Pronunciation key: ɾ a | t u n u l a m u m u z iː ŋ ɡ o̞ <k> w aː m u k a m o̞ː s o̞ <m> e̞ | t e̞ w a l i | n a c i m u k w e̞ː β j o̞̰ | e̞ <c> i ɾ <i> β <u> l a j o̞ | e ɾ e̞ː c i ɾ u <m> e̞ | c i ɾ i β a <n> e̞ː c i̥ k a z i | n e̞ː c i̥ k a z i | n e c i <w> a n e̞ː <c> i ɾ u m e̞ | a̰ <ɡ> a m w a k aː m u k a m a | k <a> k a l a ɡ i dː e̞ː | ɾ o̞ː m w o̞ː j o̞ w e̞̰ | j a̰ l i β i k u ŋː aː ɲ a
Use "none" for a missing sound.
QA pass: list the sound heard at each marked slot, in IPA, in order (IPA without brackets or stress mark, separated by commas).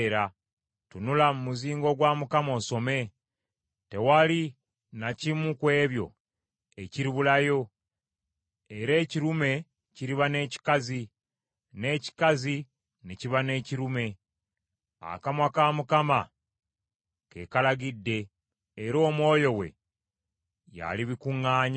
ɡ, m, c, i, u, m, n, β, c, k, e